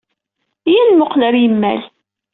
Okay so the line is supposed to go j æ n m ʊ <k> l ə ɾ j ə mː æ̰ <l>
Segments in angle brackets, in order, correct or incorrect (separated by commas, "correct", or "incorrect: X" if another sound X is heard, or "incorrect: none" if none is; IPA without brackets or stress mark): incorrect: q, correct